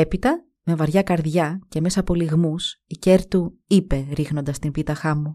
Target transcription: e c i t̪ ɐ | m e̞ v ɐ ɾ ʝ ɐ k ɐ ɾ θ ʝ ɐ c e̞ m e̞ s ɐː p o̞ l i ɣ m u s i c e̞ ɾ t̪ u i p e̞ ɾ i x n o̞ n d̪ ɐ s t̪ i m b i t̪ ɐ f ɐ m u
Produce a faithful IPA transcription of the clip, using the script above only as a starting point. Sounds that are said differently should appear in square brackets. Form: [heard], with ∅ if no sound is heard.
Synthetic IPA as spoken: e [p] i t̪ ɐ | m e̞ v ɐ ɾ ʝ ɐ k ɐ ɾ [ð] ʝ ɐ c e̞ m e̞ s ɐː p o̞ l i ɣ m u s i c e̞ ɾ t̪ u i p e̞ ɾ i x n o̞ n d̪ ɐ s t̪ i m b i t̪ ɐ [x] ɐ m u